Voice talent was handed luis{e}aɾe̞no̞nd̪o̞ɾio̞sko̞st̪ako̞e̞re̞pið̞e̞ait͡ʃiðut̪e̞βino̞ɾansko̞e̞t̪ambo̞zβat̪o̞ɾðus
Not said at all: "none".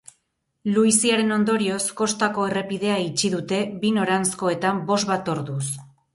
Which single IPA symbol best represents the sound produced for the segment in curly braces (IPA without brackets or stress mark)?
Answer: i